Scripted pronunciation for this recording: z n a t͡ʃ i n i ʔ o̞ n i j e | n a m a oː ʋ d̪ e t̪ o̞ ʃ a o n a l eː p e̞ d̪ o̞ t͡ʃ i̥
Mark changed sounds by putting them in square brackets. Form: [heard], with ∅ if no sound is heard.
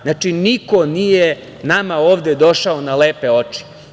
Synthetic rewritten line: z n a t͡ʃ i n i [k] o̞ n i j e | n a m a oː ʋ d̪ e [d̪] o̞ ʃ a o n a l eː p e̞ [∅] o̞ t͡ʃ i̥